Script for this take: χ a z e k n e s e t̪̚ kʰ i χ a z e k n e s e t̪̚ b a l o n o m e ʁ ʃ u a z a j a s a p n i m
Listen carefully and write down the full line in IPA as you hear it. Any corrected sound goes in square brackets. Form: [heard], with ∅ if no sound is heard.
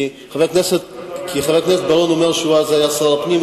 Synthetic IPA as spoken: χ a [v] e k n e s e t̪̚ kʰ i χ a [v] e k n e s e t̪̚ b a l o n o m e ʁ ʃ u a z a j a s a p n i m